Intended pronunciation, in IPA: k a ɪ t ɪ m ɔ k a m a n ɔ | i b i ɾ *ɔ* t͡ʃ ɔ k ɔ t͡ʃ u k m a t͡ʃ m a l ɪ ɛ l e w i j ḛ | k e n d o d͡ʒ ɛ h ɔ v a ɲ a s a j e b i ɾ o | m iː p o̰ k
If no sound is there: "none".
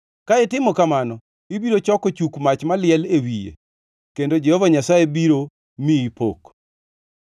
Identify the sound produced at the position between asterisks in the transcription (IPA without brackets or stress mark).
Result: o